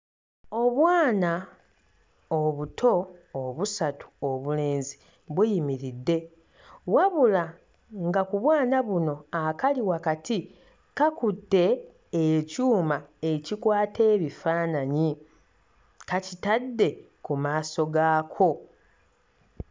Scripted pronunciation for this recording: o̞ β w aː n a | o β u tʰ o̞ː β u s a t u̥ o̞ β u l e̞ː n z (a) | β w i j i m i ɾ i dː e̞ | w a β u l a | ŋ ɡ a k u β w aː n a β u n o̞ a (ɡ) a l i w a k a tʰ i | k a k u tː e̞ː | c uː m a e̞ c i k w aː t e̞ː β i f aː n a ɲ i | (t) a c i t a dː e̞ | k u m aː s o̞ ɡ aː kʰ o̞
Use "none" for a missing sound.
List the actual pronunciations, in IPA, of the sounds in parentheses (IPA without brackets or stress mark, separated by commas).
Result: i, k, k